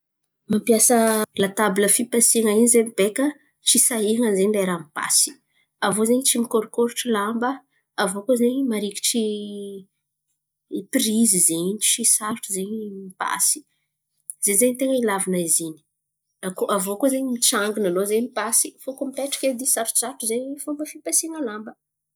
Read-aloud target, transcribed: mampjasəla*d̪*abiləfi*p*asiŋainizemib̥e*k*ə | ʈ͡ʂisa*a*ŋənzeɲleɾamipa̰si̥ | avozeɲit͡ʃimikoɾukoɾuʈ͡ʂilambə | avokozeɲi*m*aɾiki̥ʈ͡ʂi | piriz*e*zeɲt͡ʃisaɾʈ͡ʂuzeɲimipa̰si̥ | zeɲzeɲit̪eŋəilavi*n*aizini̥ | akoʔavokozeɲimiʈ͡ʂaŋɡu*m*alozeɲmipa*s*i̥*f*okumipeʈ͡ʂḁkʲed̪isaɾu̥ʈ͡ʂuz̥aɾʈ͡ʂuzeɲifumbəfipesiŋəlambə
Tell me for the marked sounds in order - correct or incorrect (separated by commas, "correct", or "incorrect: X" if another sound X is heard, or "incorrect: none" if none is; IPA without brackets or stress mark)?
incorrect: t̪, correct, correct, incorrect: i, correct, incorrect: i, correct, incorrect: n, correct, correct